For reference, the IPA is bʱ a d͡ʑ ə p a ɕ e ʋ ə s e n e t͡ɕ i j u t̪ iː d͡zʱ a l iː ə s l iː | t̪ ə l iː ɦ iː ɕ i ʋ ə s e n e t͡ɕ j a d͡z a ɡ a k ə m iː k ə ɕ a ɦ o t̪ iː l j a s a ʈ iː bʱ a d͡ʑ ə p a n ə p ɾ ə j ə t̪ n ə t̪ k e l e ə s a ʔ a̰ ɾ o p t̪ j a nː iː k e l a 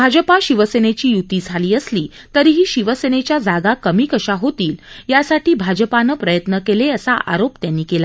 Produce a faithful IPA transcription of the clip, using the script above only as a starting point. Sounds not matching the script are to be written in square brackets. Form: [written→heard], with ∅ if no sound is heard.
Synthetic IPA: bʱ a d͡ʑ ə p a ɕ [e→i] ʋ ə s e n e t͡ɕ [i→iː] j u t̪ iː d͡zʱ a l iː ə s l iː | t̪ ə [l→ɾ] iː ɦ iː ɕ i ʋ ə s e n e t͡ɕ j a d͡z a ɡ a k ə m iː k ə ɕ a ɦ o t̪ iː l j a s a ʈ iː bʱ a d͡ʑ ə p a n ə p ɾ ə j ə t̪ n ə [t̪→∅] k e l e ə s a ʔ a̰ ɾ o p t̪ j a nː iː k e l a

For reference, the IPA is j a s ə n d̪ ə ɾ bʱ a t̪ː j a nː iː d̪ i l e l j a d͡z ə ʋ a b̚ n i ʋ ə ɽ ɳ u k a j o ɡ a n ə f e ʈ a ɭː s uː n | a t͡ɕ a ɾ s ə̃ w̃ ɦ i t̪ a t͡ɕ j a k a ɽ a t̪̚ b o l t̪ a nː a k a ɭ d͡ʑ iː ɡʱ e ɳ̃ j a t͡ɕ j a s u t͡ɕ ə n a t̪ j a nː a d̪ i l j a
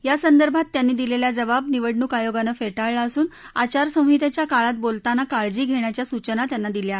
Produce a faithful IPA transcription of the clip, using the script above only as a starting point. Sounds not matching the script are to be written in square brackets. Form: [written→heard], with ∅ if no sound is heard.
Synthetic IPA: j a s ə n d̪ ə ɾ bʱ a t̪ː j a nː iː d̪ i l e l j a d͡z ə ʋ a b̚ n i ʋ ə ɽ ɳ u k a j o ɡ a n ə f e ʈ a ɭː s uː n | a t͡ɕ a ɾ s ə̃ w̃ ɦ i t̪ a t͡ɕ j a k a [ɽ→ɭ] a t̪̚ b o l t̪ a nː a k a ɭ d͡ʑ iː ɡʱ e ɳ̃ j a t͡ɕ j a s u t͡ɕ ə n a t̪ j a nː a d̪ i l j a

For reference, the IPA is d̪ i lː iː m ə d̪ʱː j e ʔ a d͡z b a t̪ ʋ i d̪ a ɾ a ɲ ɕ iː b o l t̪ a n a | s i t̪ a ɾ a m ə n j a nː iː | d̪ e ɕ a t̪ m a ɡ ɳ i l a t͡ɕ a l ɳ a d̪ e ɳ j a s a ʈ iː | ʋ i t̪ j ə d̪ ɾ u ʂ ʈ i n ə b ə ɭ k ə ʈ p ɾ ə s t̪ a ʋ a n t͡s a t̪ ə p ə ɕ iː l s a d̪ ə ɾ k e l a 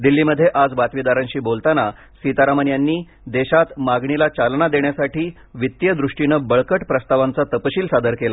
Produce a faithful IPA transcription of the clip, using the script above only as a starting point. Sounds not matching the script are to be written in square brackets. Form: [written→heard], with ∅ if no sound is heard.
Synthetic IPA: d̪ i lː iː m ə d̪ʱː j e ʔ a d͡z b a t̪ ʋ i d̪ a ɾ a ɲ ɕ iː b o l t̪ a n a | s i t̪ a ɾ a m ə n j a nː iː | d̪ e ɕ a t̪ m a ɡ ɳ i l a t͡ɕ a l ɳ a d̪ e ɳ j a s a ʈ iː | ʋ i t̪ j ə d̪ ɾ u ʂ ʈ i n ə b ə ɭ k ə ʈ p ɾ ə s t̪ a ʋ a n t͡s a t̪ ə p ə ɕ iː l s a d̪ ə ɾ k e l a

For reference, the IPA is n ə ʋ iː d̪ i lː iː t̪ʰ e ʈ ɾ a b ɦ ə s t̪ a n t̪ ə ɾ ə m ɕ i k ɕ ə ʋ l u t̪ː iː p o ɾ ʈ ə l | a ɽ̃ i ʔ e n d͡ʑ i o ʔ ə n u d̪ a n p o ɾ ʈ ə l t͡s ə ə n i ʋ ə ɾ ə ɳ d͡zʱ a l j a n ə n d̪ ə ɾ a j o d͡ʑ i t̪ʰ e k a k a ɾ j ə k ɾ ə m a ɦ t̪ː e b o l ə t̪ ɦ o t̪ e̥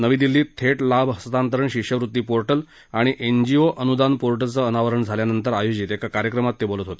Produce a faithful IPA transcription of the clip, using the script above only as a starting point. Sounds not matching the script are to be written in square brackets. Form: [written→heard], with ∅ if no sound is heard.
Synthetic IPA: n ə ʋ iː d̪ i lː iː t̪ʰ e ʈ [ɾ→l] a b ɦ ə s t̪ a n t̪ ə ɾ ə [m→ɳ] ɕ i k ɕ ə ʋ [l→ɾ] u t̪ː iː p o ɾ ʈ ə l | a ɽ̃ i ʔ e n d͡ʑ i o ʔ ə n u d̪ a n p o ɾ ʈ ə l t͡s ə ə n [i→a] ʋ ə ɾ ə ɳ d͡zʱ a l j a n ə n [d̪→t̪] ə ɾ a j o d͡ʑ i [t̪ʰ→t̪] e k a k a ɾ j ə k ɾ ə m a [ɦ→∅] t̪ː e b o l ə t̪ ɦ o t̪ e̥

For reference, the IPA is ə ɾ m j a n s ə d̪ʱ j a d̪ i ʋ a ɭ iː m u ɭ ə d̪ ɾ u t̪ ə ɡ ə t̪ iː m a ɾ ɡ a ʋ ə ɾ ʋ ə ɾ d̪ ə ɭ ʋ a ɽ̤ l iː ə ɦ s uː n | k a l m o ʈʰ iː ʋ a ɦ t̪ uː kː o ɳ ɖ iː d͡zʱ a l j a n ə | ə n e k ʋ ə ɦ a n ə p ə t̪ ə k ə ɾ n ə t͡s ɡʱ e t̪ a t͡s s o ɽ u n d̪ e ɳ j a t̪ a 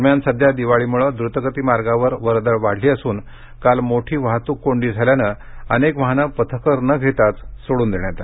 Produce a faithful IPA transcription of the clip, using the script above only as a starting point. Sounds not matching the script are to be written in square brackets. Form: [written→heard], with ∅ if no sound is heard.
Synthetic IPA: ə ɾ m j a n s ə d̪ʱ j a d̪ i ʋ a ɭ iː m u ɭ ə d̪ ɾ u t̪ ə ɡ ə t̪ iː m a ɾ ɡ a ʋ ə ɾ ʋ ə ɾ d̪ ə ɭ ʋ a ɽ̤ l iː ə [ɦ→∅] s uː n | k a l m o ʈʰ iː ʋ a ɦ t̪ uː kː o ɳ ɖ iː d͡zʱ a l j a n ə | ə n e k ʋ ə ɦ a n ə p ə [t̪→t̪ʰ] ə k ə ɾ n ə [t͡s→∅] ɡʱ e t̪ a t͡s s o ɽ [u→uː] n d̪ e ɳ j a t̪ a

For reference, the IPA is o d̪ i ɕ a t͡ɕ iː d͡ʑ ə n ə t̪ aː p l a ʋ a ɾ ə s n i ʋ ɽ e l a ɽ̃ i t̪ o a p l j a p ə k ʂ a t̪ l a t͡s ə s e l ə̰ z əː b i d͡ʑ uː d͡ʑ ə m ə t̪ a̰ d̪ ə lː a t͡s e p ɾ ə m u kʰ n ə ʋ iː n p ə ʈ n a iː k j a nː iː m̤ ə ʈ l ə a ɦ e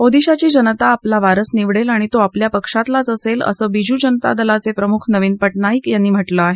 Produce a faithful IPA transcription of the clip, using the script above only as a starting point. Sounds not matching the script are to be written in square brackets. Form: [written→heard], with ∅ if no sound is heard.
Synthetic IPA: o d̪ i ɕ a t͡ɕ iː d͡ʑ ə n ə t̪ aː p l a ʋ a ɾ ə s n i ʋ ɽ e l a ɽ̃ i t̪ o a p l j a p ə k ʂ a t̪ l a t͡s ə s e l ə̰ [z→s] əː b i d͡ʑ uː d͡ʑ ə [m→n] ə t̪ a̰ d̪ ə [lː→l] a t͡s e p ɾ ə m u kʰ n ə ʋ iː n p ə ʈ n a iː k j a nː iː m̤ ə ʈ l ə a ɦ e

